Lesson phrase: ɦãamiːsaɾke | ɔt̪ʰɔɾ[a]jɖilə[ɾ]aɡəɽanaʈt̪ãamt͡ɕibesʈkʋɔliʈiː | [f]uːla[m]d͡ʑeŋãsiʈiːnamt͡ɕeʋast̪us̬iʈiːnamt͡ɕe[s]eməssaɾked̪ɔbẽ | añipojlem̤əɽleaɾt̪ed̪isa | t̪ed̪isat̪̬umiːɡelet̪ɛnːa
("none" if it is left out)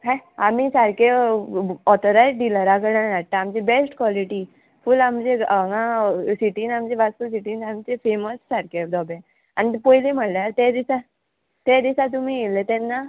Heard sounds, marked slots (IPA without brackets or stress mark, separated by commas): a, ɾ, f, m, f